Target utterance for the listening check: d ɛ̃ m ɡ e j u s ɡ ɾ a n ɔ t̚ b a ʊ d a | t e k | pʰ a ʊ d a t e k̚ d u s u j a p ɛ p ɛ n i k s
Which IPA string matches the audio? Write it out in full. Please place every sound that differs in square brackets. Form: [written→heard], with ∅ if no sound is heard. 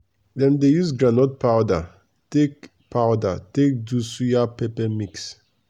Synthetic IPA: d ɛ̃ m [ɡ→d] e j u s ɡ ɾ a n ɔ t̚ [b→p] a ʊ d a | t e k | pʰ a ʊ d a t e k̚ d u s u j a p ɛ p ɛ [n→m] i k s